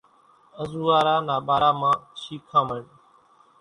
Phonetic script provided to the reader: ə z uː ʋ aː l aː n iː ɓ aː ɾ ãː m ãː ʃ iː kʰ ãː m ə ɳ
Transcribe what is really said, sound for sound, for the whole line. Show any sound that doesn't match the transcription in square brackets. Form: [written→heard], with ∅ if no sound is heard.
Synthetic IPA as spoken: ə z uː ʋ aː [l→ɾ] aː n [iː→aː] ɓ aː ɾ [ãː→aː] m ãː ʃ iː kʰ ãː m ə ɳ